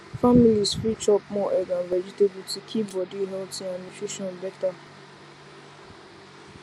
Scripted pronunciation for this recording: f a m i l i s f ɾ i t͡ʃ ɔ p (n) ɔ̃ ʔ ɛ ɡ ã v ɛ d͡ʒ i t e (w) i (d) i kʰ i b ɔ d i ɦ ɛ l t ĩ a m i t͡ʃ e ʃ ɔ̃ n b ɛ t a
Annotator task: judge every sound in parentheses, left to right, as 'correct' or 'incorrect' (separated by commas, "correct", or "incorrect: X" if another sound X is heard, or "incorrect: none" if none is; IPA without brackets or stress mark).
incorrect: m, incorrect: b, incorrect: t